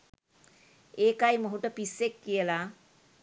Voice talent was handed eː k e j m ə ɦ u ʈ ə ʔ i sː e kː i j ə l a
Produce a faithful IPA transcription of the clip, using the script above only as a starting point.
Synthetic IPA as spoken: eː k a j m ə ɦ u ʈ ə p i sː e kː i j ə l a